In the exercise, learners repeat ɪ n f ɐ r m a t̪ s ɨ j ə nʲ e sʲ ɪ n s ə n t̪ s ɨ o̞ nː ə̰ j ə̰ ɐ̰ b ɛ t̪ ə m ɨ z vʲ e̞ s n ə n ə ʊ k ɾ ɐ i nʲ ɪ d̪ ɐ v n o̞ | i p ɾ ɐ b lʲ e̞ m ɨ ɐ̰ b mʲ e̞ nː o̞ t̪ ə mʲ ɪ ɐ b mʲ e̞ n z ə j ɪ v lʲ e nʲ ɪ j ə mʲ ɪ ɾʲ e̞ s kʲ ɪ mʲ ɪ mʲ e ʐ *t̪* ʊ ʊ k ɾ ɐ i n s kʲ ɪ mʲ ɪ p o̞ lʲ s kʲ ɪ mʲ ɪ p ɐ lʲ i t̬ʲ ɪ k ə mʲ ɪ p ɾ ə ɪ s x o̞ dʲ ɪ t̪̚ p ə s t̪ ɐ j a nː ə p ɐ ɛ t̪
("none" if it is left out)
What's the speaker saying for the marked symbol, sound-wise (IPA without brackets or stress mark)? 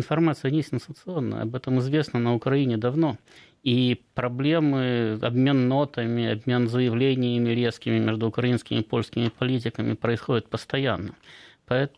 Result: d̪